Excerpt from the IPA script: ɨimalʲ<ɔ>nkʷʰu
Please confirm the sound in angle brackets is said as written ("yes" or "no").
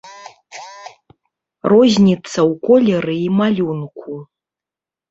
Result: no